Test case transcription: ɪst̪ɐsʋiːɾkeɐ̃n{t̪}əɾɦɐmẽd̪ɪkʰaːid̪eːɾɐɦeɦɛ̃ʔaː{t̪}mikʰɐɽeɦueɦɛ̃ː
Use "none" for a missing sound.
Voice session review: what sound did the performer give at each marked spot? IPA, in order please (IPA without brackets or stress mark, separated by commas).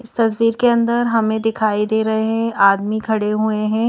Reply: d̪, d̪